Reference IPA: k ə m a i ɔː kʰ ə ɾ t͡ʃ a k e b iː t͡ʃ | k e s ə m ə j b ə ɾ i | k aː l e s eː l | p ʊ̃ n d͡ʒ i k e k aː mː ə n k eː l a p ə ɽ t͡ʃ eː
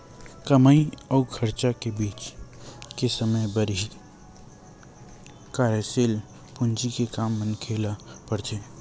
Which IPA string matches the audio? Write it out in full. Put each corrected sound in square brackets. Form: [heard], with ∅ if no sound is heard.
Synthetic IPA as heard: k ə m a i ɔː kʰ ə ɾ t͡ʃ a k e b iː t͡ʃ | k e s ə m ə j b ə ɾ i | k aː [ɾ] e s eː l | p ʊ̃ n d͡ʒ i k e k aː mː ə n [kʰ] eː l a p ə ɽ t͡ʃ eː